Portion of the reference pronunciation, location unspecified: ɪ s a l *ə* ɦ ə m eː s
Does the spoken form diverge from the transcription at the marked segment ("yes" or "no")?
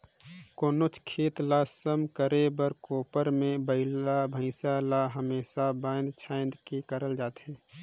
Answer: yes